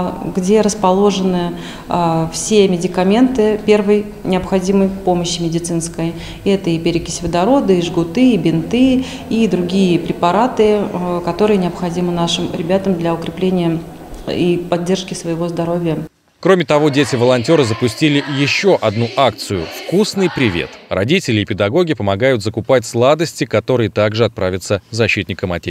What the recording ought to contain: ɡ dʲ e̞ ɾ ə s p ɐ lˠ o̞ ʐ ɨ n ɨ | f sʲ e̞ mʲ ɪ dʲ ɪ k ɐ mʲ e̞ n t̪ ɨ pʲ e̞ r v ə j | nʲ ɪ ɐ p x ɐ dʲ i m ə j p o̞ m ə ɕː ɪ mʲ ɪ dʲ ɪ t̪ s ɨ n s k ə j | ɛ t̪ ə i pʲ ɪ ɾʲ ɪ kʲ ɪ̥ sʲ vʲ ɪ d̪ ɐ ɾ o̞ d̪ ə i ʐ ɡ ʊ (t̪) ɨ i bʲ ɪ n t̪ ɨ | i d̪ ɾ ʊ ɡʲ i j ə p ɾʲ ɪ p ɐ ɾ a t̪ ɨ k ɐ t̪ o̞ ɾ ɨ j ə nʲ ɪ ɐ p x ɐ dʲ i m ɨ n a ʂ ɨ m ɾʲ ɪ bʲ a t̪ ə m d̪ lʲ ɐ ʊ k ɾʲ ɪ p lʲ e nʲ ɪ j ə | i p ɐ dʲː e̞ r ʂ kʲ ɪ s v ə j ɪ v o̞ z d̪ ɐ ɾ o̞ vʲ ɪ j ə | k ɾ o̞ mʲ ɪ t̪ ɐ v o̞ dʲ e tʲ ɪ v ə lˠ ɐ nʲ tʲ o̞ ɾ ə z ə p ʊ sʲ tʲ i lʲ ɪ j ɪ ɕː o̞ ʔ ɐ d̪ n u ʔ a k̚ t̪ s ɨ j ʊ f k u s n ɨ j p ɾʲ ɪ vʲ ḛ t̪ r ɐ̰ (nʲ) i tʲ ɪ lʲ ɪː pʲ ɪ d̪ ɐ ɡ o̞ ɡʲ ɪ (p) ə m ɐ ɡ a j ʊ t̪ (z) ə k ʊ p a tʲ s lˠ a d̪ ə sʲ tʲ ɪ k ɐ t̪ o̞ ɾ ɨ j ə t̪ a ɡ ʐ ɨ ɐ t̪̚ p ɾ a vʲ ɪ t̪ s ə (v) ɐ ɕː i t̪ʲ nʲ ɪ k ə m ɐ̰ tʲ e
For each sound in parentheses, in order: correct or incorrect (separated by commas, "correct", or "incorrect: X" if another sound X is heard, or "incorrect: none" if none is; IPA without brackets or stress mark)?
correct, incorrect: dʲ, correct, correct, incorrect: z